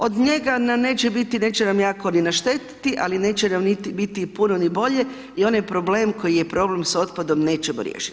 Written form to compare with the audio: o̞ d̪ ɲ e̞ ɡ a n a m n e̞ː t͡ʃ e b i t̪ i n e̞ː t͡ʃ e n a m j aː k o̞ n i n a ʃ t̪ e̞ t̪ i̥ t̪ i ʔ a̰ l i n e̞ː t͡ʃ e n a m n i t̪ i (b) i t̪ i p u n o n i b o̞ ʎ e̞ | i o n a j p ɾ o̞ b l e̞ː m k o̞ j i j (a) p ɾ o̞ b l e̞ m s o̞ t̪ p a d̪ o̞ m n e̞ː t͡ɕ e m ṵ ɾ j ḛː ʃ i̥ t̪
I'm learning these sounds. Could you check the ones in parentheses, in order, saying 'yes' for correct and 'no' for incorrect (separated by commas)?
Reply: yes, no